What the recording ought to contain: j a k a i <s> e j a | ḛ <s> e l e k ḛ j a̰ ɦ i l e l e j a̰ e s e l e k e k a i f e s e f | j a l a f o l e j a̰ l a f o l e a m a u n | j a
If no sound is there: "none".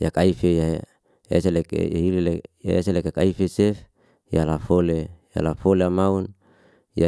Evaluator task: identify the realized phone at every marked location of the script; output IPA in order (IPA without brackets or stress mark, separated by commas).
f, s